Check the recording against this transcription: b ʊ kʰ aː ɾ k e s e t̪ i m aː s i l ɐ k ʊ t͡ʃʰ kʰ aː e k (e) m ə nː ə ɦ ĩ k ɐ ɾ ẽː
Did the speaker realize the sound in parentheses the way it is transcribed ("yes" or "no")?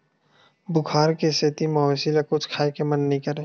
yes